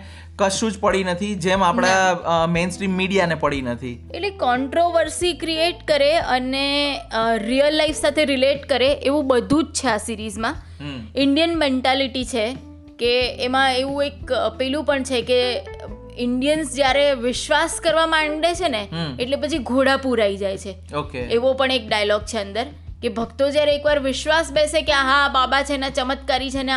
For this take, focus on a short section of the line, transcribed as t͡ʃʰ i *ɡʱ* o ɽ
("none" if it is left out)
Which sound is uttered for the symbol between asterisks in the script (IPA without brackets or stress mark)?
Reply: ɡʱ